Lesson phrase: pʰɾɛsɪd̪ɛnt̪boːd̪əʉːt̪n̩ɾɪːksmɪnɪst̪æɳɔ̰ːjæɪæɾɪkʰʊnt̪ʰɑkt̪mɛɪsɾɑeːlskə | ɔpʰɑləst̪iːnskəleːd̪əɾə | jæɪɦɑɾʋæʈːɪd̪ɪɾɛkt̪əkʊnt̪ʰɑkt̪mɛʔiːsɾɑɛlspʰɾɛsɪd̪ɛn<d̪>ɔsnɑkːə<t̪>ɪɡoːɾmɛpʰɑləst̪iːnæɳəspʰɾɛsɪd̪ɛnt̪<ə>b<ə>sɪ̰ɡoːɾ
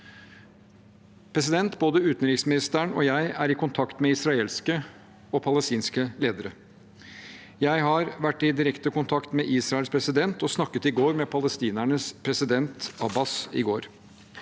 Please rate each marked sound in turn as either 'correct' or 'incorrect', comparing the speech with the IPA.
incorrect, correct, incorrect, incorrect

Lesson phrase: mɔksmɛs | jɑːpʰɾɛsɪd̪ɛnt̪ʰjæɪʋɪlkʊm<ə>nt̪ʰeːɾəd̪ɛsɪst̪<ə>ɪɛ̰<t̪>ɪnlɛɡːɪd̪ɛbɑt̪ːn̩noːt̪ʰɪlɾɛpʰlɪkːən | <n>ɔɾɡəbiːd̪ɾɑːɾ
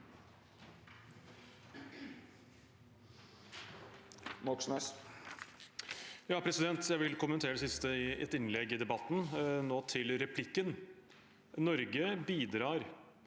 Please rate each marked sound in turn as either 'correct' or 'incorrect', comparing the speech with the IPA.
correct, correct, correct, correct

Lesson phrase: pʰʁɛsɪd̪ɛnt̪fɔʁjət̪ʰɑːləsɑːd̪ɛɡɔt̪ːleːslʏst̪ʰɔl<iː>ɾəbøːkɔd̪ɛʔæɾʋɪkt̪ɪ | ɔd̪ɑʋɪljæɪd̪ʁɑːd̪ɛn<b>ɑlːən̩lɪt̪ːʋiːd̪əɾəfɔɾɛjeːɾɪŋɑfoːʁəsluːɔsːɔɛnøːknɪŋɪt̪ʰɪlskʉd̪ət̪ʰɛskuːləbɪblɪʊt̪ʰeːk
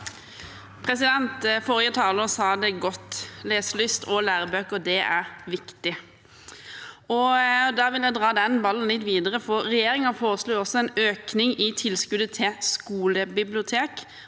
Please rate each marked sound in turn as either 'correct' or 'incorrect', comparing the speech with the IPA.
incorrect, correct

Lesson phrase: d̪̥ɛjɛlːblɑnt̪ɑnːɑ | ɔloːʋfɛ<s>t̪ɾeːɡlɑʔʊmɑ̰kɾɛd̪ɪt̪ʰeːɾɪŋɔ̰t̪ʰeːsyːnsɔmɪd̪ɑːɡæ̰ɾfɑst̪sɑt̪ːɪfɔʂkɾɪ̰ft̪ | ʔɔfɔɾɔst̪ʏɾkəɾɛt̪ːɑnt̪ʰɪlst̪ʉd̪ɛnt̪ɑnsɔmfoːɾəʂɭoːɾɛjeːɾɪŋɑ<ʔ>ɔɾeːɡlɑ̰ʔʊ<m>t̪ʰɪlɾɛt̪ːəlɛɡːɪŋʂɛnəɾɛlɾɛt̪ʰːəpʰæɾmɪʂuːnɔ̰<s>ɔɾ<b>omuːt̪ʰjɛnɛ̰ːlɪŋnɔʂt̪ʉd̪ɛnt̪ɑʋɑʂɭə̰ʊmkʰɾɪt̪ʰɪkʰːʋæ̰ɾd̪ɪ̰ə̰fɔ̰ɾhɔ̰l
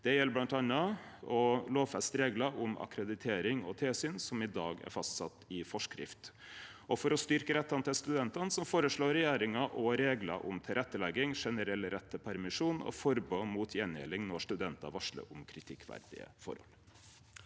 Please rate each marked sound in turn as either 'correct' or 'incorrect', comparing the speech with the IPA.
correct, correct, correct, incorrect, correct

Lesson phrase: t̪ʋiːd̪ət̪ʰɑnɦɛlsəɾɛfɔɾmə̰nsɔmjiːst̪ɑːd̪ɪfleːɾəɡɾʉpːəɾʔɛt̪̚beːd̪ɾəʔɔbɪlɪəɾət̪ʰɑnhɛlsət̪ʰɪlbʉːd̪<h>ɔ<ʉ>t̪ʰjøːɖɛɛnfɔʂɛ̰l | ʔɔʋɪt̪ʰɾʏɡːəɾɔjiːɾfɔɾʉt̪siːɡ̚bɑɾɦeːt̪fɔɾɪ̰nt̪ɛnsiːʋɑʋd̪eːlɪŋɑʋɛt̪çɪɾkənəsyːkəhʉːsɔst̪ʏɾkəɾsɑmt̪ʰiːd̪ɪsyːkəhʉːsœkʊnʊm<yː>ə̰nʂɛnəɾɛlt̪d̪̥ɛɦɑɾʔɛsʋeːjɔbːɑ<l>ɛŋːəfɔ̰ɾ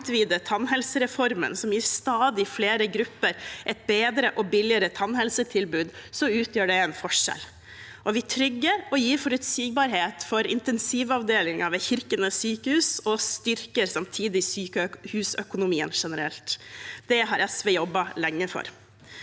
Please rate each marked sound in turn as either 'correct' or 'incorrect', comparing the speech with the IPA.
incorrect, incorrect, incorrect, correct

